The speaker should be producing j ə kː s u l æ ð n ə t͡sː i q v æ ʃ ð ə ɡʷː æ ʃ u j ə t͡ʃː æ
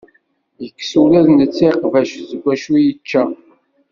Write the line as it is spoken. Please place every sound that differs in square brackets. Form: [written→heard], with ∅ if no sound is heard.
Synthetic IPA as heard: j ə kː s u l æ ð n ə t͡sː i q v æ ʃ [ð→z] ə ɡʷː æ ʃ u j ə t͡ʃː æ